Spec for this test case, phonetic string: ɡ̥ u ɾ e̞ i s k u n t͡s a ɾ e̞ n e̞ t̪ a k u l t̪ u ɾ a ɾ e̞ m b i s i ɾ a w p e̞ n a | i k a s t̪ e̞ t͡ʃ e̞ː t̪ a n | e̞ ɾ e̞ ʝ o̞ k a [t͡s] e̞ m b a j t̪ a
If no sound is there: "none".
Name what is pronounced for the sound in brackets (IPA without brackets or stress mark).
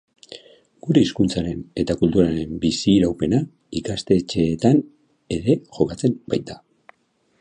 t͡s